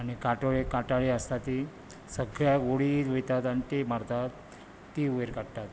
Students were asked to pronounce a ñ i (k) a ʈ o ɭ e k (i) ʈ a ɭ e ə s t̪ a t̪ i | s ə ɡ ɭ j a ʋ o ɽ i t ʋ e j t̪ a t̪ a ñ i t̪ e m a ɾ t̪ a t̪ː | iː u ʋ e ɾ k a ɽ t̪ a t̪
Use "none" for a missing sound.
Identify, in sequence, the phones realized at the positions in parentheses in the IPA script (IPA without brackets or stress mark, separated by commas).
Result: k, a